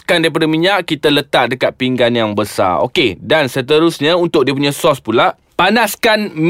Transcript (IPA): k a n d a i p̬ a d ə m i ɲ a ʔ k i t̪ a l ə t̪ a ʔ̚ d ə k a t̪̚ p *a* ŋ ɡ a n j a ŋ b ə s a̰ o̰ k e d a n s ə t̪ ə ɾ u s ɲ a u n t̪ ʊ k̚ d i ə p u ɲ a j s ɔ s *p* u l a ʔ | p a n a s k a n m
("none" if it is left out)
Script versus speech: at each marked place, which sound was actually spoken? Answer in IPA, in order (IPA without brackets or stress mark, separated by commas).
i, p